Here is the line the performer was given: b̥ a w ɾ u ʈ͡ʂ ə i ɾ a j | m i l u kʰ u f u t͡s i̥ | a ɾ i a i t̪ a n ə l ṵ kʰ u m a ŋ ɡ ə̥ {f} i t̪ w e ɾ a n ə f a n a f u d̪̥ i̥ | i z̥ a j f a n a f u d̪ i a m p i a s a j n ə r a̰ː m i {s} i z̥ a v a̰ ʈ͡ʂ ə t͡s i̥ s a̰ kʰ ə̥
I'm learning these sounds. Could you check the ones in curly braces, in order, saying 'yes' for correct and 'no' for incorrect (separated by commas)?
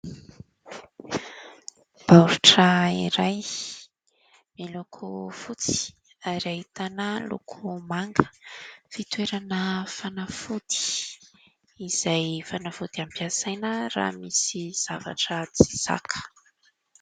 yes, yes